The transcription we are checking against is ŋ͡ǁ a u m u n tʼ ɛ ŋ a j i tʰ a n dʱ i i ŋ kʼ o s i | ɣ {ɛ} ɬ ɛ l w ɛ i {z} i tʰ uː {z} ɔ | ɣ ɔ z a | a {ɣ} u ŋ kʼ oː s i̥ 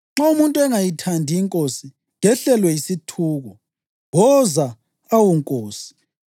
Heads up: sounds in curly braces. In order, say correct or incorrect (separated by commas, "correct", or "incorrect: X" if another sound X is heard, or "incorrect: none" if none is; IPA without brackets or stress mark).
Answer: correct, incorrect: s, incorrect: ɣ, incorrect: w